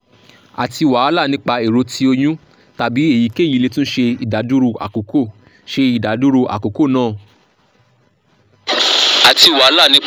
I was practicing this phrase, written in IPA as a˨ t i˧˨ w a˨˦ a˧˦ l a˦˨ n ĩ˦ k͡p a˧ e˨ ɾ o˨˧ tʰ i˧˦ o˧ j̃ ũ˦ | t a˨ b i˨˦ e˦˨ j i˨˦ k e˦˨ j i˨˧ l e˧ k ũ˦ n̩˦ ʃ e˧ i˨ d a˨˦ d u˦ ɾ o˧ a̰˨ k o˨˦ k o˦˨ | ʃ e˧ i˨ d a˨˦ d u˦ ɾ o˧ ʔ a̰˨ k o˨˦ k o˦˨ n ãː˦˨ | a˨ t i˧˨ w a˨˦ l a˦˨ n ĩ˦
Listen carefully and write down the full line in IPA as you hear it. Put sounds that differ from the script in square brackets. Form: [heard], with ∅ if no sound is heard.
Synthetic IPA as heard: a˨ t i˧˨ w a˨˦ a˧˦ l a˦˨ n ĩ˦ k͡p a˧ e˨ ɾ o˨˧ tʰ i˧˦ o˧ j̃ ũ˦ | t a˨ b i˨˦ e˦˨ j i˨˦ k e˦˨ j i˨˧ l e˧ [t] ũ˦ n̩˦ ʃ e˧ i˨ d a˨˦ d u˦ ɾ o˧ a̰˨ k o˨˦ k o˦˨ | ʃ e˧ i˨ d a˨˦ d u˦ ɾ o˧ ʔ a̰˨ k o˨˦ k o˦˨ n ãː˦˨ | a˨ t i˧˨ w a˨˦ l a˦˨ n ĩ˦